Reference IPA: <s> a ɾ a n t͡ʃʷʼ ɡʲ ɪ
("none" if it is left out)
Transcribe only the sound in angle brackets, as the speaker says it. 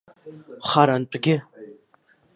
χ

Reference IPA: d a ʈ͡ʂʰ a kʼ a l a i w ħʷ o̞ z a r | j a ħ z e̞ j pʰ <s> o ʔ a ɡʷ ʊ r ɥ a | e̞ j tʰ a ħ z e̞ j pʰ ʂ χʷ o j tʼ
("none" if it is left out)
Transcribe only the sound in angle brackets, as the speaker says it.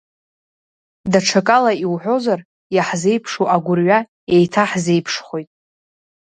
ʂ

